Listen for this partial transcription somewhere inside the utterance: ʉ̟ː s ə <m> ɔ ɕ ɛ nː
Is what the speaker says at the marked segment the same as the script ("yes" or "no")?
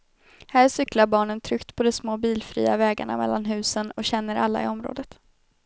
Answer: no